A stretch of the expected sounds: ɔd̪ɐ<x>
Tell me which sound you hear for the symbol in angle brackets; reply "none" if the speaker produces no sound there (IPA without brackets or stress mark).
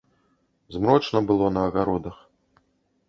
x